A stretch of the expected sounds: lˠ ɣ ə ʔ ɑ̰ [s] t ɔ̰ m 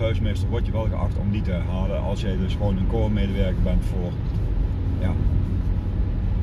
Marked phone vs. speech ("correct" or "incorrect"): incorrect